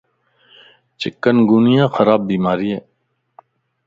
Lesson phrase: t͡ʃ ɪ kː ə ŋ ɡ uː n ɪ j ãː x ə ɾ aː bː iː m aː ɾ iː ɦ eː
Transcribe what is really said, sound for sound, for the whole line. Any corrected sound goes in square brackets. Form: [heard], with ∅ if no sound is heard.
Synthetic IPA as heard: t͡ʃ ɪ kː ə [n] ɡ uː n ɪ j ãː x ə ɾ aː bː iː m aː ɾ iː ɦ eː